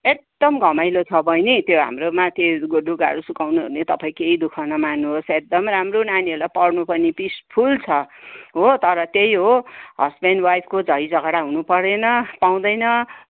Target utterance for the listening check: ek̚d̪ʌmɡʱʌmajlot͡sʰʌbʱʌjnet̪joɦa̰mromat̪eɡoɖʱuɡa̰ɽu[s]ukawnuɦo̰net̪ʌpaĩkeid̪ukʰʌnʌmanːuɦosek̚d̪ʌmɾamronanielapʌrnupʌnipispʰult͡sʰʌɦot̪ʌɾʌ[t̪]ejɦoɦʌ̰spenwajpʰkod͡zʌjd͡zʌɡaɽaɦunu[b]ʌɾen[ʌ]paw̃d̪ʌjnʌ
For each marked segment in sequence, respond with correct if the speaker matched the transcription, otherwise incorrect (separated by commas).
correct, correct, incorrect, correct